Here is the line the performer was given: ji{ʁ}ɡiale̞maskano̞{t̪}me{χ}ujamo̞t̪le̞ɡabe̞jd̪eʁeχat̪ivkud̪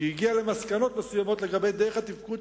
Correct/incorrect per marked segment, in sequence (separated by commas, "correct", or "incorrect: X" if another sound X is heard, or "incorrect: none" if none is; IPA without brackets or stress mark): incorrect: none, correct, incorrect: s